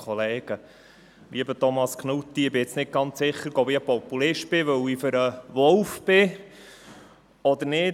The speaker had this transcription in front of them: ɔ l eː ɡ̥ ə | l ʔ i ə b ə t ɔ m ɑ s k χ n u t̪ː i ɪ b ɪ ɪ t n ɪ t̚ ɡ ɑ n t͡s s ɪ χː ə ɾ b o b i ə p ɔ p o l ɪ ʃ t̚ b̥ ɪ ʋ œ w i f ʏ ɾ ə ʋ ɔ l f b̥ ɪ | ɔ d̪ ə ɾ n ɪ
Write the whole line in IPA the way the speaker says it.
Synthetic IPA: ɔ l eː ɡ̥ ə | l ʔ i ə b ə t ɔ m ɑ s k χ n u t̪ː i ɪ b ɪ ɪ t͡s n ɪ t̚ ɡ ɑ n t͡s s ɪ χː ə ɾ ɡ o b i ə p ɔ p u l ɪ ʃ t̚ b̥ ɪ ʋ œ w i f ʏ ɾ ə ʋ ɔ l f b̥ ɪ | ɔ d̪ ə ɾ n ɪ